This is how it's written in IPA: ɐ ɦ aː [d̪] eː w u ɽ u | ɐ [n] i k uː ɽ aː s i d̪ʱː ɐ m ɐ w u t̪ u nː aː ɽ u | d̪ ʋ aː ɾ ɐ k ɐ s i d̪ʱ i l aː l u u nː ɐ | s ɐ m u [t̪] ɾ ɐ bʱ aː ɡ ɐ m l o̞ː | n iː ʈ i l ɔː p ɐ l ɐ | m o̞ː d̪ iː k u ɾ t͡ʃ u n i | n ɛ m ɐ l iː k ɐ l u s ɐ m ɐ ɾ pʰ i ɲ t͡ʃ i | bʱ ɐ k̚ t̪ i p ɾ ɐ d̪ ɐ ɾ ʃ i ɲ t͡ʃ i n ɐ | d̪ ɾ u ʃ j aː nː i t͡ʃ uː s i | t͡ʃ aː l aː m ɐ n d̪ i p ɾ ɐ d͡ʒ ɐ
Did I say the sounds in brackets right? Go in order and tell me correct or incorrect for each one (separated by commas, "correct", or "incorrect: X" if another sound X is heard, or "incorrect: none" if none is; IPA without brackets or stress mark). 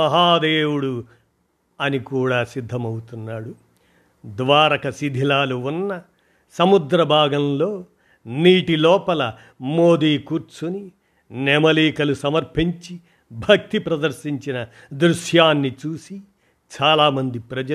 correct, correct, incorrect: d̪